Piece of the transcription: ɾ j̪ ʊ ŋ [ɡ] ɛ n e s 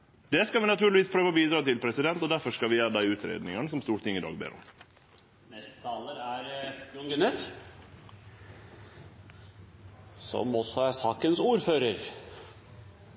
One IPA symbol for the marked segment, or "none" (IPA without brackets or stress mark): ɡ